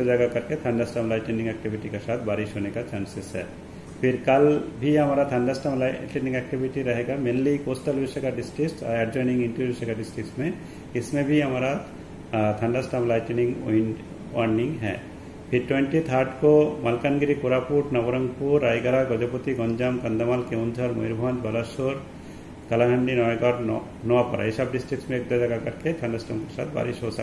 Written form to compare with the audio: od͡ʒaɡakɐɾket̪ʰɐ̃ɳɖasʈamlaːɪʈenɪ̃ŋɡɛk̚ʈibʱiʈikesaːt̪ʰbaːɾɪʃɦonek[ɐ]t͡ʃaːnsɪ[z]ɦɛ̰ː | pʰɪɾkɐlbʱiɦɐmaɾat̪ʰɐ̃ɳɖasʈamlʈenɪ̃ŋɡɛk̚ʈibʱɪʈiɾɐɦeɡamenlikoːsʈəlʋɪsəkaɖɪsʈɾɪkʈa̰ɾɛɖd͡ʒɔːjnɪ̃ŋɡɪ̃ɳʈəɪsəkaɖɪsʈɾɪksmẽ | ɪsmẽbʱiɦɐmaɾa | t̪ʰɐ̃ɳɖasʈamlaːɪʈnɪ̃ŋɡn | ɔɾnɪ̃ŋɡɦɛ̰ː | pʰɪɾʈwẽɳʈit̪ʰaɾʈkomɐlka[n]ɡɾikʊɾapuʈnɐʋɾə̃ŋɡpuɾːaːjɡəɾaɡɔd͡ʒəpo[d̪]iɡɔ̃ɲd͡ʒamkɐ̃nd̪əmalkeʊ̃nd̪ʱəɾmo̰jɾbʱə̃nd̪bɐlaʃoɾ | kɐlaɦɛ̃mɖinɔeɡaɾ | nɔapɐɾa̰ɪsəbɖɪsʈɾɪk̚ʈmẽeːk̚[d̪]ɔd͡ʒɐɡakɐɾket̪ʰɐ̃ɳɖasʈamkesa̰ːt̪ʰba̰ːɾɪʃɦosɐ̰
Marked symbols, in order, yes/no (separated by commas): no, no, yes, no, yes